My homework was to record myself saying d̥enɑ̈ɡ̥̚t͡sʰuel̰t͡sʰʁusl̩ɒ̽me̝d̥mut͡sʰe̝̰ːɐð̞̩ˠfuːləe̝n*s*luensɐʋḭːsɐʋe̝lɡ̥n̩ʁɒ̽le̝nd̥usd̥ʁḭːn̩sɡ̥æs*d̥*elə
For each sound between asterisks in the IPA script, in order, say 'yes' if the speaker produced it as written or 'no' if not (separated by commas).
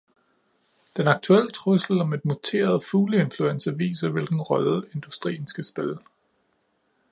no, no